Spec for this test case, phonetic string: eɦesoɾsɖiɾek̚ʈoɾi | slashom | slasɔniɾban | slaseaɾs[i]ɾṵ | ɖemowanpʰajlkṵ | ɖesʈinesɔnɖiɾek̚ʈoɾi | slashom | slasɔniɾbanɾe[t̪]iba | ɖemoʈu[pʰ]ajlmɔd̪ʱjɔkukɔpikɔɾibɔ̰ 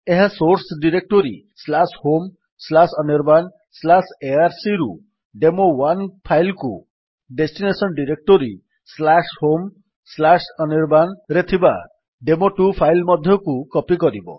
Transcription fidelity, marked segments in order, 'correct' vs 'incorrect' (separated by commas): correct, incorrect, correct